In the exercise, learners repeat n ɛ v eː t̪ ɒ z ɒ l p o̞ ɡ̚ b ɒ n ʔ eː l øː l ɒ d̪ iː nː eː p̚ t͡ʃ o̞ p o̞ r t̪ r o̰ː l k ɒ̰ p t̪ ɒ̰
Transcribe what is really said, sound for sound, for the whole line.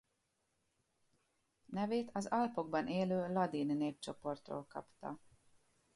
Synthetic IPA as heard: n ɛ v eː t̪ ɒ z ɒ l p o̞ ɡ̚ b ɒ n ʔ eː l øː l ɒ d̪ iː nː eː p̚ t͡ʃ o̞ p o̞ r t̪ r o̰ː l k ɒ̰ p t̪ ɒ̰